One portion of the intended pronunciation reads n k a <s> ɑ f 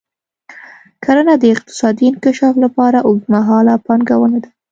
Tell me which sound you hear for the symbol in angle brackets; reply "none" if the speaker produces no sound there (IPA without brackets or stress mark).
ʃ